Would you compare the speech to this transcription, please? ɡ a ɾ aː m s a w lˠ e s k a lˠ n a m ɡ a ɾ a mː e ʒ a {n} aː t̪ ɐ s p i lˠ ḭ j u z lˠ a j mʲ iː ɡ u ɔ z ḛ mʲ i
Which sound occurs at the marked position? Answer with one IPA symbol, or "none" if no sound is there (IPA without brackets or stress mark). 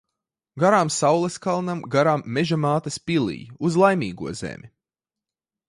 m